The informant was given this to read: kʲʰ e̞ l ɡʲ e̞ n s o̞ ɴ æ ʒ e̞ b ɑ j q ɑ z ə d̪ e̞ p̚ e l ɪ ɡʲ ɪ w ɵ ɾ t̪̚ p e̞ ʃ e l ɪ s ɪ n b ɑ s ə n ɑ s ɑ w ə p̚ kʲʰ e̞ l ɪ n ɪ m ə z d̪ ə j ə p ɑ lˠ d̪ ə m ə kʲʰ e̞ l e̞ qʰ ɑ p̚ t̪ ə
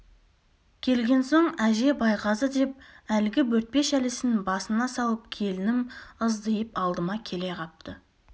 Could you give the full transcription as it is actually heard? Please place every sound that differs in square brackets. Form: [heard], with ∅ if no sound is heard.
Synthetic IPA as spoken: kʲʰ e̞ l ɡʲ e̞ n s o̞ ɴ æ ʒ e̞ b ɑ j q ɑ z ə d̪ e̞ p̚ [æ] l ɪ ɡʲ ɪ w ɵ ɾ t̪̚ p e̞ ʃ [æ] l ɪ s ɪ n b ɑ s ə n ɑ s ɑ w ə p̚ kʲʰ e̞ l ɪ n ɪ m ə z d̪ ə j ə p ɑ lˠ d̪ ə m [ɑ] kʲʰ e̞ l e̞ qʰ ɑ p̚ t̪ ə

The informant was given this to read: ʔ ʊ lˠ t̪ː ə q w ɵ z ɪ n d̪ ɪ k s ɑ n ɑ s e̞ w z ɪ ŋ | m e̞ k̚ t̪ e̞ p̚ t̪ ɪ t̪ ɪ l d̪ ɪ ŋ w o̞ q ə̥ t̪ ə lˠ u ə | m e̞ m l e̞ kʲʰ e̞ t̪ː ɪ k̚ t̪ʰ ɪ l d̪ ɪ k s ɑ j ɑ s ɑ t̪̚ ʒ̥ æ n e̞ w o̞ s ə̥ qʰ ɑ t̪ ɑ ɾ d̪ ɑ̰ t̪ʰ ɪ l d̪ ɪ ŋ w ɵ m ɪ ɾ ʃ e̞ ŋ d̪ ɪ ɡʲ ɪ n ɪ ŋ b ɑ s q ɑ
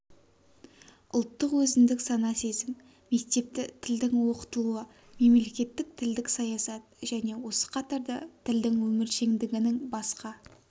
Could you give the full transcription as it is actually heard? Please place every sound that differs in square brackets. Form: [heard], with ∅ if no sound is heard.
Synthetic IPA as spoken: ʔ ʊ lˠ t̪ː ə q w ɵ z ɪ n d̪ ɪ k s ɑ n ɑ s e̞ [∅] z ɪ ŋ | m e̞ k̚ t̪ e̞ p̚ t̪ ɪ [t̪ʰ] ɪ l d̪ ɪ ŋ w o̞ q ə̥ t̪ ə lˠ u ə | m e̞ m l e̞ [kʲ] e̞ t̪ː ɪ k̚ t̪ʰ ɪ l d̪ ɪ k s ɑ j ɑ s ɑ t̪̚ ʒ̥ æ n e̞ w o̞ s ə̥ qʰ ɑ t̪ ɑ ɾ d̪ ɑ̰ t̪ʰ ɪ l d̪ ɪ ŋ w ɵ m ɪ ɾ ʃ e̞ ŋ d̪ ɪ ɡʲ ɪ n ɪ ŋ b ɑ s q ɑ

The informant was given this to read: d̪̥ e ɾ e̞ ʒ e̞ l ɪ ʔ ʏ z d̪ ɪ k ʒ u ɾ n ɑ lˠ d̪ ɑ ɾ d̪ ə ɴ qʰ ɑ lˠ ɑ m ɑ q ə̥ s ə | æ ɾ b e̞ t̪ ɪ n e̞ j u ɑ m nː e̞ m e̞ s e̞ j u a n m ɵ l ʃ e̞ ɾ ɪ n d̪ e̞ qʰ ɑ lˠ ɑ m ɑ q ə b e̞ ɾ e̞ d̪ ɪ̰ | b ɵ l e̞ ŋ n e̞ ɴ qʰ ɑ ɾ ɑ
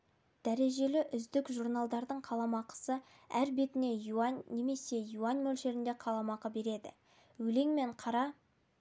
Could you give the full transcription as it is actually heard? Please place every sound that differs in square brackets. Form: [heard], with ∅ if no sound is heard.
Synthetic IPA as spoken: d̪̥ [æ] ɾ e̞ ʒ e̞ l ɪ ʔ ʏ z d̪ ɪ k ʒ u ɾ n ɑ lˠ d̪ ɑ ɾ d̪ ə ɴ qʰ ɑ lˠ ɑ m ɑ q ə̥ s ə | æ ɾ b e̞ t̪ ɪ n e̞ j u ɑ [n] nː e̞ m e̞ s e̞ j u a n m ɵ l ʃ e̞ ɾ ɪ n d̪ e̞ qʰ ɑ lˠ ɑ m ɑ q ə b e̞ ɾ e̞ d̪ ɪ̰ | [w] ɵ l e̞ ŋ [m] e̞ ɴ qʰ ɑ ɾ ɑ

